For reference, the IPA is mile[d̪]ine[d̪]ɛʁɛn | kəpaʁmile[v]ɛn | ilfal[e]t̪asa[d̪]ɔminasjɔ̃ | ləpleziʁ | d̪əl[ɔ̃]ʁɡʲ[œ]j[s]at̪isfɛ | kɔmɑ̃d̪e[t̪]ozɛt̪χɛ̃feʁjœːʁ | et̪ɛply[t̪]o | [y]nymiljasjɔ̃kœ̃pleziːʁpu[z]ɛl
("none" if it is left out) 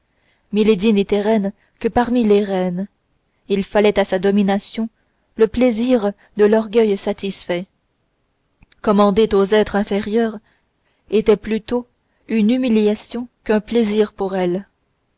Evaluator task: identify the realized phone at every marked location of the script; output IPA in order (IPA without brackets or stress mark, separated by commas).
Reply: d̪, t̪, ʁ, ɛ, d̪, ɔ, œ, s, t̪, t̪, y, ʁ